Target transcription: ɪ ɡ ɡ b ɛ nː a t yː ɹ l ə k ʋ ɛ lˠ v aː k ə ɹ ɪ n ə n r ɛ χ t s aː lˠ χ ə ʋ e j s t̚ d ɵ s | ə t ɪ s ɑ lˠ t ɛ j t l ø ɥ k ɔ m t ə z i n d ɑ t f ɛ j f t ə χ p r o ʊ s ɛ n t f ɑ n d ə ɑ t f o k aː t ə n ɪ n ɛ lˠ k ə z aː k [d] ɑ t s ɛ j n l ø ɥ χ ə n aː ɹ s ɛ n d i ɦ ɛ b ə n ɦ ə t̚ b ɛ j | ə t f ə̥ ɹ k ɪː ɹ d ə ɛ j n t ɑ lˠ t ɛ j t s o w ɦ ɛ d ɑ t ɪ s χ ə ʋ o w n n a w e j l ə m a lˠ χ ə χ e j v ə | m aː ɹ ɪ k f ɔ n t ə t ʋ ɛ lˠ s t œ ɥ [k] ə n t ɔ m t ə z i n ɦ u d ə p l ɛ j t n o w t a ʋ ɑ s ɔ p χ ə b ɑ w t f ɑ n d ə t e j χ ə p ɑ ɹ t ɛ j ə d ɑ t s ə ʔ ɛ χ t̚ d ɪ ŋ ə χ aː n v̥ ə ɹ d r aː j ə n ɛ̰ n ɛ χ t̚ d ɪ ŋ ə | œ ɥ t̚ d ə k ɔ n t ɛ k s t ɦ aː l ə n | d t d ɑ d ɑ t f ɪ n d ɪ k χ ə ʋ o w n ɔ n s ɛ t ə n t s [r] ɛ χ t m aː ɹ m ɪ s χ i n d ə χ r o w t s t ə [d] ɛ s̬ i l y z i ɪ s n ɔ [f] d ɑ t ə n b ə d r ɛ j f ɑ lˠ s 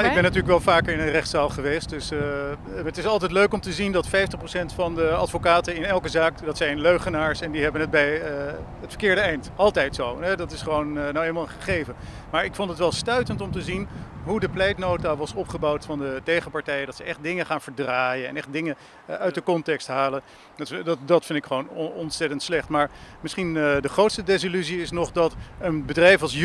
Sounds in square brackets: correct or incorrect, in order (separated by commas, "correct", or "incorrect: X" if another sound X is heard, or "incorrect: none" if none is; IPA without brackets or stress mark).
correct, incorrect: t, incorrect: l, correct, incorrect: χ